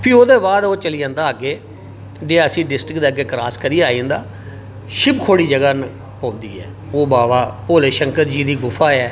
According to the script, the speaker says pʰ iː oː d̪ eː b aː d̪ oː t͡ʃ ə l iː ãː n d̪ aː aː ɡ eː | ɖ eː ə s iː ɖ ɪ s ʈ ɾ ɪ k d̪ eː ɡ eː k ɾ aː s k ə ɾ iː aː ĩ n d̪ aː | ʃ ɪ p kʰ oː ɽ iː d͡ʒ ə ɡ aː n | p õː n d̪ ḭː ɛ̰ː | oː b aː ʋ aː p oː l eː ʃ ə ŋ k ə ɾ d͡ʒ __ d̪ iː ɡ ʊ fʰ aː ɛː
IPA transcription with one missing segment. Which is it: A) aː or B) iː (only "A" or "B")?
B